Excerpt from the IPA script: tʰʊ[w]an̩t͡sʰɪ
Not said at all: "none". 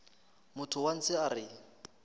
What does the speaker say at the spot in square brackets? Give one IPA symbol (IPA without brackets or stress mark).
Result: w